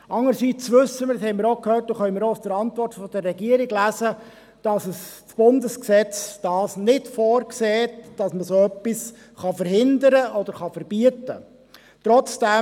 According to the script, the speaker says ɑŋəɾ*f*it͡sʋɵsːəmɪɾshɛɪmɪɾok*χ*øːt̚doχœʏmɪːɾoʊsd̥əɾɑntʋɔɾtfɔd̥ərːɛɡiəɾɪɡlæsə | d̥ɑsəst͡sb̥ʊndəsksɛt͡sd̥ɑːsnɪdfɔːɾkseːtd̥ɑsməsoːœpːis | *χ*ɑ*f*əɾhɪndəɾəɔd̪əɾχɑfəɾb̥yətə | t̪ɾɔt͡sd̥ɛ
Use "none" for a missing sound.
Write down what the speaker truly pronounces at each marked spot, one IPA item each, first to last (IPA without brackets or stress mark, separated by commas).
s, h, χ, f